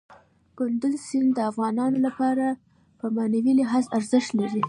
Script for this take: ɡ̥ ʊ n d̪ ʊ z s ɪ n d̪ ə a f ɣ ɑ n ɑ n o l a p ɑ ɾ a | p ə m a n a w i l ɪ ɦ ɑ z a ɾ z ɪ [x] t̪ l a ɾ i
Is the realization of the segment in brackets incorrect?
yes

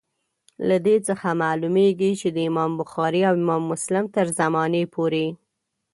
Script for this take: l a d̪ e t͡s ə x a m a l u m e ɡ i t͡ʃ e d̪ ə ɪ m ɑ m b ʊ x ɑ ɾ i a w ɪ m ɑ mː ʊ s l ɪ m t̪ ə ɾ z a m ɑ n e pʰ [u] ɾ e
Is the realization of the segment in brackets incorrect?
yes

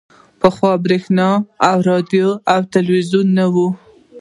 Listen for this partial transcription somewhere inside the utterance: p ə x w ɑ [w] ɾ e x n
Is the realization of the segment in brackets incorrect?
yes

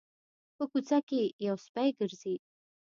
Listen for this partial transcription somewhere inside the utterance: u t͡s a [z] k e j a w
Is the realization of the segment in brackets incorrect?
yes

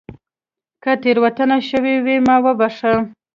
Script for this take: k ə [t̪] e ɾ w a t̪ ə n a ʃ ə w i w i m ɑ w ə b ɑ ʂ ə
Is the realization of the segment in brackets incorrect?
no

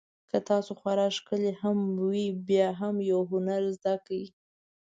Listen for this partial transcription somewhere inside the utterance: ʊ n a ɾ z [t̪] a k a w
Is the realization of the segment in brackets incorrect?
yes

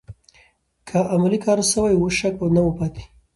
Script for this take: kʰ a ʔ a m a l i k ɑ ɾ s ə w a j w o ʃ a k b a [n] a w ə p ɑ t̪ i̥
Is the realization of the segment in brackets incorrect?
no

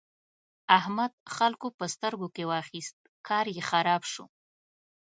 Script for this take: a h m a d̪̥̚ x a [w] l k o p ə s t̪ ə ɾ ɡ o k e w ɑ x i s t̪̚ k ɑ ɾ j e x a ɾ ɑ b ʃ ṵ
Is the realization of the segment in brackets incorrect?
yes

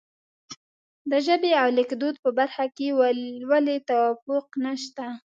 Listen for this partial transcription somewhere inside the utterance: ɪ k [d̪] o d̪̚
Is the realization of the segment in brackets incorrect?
no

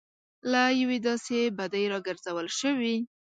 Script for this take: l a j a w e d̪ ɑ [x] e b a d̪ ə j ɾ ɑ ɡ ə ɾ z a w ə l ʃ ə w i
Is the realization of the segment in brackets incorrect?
yes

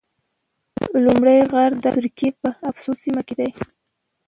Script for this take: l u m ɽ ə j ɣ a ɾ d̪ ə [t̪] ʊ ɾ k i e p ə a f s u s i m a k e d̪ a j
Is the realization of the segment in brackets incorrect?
no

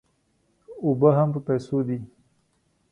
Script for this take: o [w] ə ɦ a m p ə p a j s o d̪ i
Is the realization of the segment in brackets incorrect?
yes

